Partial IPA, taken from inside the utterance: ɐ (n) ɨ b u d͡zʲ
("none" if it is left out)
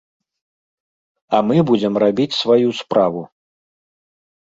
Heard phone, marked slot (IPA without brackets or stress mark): m